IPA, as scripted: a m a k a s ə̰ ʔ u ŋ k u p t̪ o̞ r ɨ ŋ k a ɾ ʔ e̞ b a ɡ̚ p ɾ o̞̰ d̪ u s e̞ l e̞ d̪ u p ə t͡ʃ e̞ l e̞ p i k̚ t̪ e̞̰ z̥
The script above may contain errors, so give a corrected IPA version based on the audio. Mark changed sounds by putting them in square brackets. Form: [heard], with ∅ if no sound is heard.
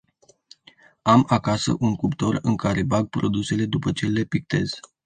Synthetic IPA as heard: a m a k a s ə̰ ʔ u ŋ k u p t̪ o̞ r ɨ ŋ k a ɾ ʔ e̞ b a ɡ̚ p ɾ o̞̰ d̪ u s e̞ l e̞ d̪ u p ə t͡ʃ e̞ l e̞ p i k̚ t̪ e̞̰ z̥

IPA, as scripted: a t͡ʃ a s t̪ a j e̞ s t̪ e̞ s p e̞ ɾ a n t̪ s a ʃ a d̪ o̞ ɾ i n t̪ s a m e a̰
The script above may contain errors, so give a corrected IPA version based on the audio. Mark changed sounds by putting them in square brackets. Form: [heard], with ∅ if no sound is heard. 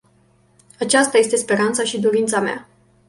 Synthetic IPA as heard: a t͡ʃ a s t̪ a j e̞ s t̪ e̞ s p e̞ ɾ a n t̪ s a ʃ [i] d̪ o̞ ɾ i n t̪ s a m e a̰

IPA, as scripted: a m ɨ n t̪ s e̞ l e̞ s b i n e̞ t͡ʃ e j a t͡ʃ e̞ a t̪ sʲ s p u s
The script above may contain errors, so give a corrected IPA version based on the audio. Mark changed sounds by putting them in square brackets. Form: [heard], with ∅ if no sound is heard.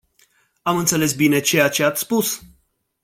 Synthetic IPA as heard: a m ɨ n t̪ s e̞ l e̞ s b i n e̞ t͡ʃ e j a t͡ʃ e̞ a t̪ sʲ s p u s

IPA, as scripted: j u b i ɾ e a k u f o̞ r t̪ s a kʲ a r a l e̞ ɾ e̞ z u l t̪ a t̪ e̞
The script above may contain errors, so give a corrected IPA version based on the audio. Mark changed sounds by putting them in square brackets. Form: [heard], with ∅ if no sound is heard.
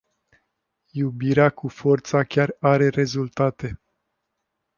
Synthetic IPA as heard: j u b i ɾ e a k u f o̞ r t̪ s a kʲ a r a [ɾ] e̞ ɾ e̞ z u l t̪ a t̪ e̞

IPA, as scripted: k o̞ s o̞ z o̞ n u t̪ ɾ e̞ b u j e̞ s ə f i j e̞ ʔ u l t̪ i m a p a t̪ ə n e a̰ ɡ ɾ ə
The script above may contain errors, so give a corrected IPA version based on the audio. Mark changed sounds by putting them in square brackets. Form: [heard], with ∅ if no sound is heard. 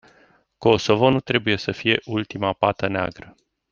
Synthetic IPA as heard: k o̞ s o̞ [v] o̞ n u t̪ ɾ e̞ b u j e̞ s ə f i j e̞ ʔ u l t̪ i m a p a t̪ ə n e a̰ ɡ ɾ ə

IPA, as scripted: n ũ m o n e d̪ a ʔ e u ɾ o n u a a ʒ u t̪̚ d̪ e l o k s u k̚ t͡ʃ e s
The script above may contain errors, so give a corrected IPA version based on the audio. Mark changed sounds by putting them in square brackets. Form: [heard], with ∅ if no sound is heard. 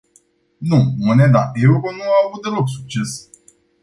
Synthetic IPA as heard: n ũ m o n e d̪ a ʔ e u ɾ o n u a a [v] u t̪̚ d̪ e l o k s u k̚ t͡ʃ e s

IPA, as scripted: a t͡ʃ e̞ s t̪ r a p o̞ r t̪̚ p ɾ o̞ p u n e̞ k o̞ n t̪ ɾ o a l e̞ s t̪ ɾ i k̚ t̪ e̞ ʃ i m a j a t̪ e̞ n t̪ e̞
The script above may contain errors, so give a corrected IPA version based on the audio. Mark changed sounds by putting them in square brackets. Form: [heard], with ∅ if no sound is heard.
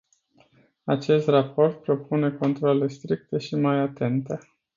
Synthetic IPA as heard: a t͡ʃ e̞ s t̪ r a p o̞ r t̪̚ p ɾ o̞ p u n e̞ k o̞ n t̪ ɾ o a l e̞ s t̪ ɾ i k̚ t̪ e̞ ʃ i m a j a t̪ e̞ n t̪ e̞

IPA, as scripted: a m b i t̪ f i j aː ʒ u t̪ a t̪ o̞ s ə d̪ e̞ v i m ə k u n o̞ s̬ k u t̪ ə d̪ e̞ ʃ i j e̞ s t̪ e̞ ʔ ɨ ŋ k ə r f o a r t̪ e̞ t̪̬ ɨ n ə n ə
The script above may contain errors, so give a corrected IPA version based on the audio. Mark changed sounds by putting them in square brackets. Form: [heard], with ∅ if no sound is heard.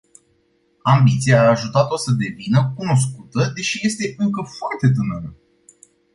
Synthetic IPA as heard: a m b i t̪ [s] i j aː ʒ u t̪ a t̪ o̞ s ə d̪ e̞ v i [n] ə k u n o̞ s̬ k u t̪ ə d̪ e̞ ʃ i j e̞ s t̪ e̞ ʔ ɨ ŋ k ə [∅] f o a r t̪ e̞ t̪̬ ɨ n ə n ə

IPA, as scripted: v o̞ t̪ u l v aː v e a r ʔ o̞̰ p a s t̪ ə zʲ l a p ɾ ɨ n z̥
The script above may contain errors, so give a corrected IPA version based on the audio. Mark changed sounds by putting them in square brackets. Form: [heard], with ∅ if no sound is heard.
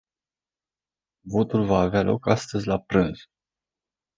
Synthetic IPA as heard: v o̞ t̪ u l v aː v e a [l] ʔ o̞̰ [k] a s t̪ ə zʲ l a p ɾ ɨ n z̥

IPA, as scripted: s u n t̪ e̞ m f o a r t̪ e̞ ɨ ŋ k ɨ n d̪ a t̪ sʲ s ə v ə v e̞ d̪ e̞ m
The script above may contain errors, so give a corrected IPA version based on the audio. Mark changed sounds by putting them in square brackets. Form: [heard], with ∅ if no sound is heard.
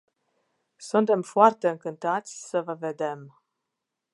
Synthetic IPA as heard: s u n t̪ e̞ m f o a r t̪ e̞ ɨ ŋ k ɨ n [t̪] a t̪ sʲ s ə v ə v e̞ d̪ e̞ m

